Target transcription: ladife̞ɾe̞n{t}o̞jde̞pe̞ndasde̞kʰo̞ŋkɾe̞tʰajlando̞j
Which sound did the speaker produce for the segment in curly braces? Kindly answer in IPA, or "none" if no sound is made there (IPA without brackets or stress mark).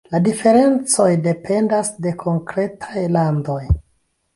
t͡s